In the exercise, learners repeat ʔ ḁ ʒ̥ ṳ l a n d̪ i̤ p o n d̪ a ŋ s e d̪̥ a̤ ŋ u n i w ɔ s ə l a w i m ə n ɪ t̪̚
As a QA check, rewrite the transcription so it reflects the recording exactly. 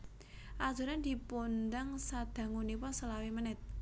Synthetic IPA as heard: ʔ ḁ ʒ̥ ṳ ɾ a n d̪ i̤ p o n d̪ a ŋ s a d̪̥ a̤ ŋ u n i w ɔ s ə l a w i m ə n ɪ t̪̚